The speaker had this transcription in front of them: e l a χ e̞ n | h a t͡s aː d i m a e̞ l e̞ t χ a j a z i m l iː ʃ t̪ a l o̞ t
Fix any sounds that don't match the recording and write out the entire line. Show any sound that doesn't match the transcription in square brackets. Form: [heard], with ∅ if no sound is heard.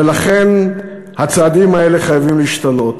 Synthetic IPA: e l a χ e̞ n | h a t͡s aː d i m a e̞ l e̞ [∅] χ a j a [v] i m l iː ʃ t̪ a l o̞ t